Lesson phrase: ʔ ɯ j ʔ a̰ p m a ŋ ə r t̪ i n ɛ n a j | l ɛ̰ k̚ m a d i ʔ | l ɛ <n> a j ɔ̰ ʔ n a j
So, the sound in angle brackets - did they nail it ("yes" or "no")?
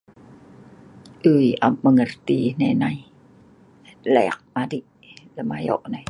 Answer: no